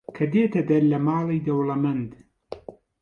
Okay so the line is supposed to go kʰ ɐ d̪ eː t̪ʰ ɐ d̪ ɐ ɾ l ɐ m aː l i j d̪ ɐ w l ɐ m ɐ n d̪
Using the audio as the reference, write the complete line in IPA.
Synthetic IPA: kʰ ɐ d̪ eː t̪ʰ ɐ d̪ ɐ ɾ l ɐ m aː l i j d̪ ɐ w l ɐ m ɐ n d̪